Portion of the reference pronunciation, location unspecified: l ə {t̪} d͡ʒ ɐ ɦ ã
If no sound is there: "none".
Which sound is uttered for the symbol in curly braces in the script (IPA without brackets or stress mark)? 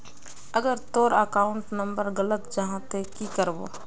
t̪